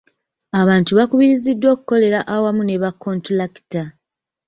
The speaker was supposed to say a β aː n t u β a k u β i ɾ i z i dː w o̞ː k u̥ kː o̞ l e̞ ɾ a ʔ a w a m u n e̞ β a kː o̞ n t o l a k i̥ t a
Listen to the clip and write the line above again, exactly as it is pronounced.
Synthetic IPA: a β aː n t u β a k u β i ɾ i z i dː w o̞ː k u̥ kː o̞ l e̞ ɾ a ʔ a w a m u n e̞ β a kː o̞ n t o l a k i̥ t a

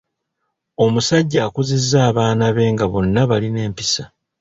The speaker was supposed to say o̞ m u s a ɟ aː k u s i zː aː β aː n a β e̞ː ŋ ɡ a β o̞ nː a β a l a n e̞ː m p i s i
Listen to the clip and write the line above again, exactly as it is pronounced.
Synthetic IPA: o̞ m u s a ɟː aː k u z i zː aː β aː n a β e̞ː ŋ ɡ a β o̞ nː a β a l i n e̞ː m p i s a

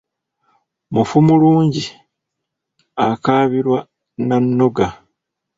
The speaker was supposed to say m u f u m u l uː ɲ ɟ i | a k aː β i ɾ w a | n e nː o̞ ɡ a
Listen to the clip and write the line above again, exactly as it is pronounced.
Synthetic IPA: m u f u m u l uː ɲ ɟ i | a k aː β i ɾ w a | n a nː o̞ ɡ a

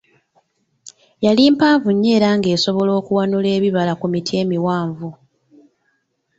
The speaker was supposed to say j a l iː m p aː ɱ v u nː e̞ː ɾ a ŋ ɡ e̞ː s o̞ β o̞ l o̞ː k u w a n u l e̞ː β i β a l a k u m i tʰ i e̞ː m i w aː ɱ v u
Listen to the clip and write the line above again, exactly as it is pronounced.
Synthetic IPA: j a l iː m p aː ɱ v u ɲː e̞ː ɾ a ŋ ɡ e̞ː s o̞ β o̞ l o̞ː k u w a n u l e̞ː β i β a l a k u m i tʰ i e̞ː m i w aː ɱ v u

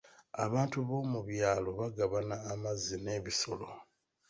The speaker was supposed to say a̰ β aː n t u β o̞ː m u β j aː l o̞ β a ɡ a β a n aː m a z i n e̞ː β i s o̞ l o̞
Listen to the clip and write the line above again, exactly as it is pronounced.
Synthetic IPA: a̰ β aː n t u β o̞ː m u β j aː l o̞ β a ɡ a β a n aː m a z i n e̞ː β i s o̞ l o̞

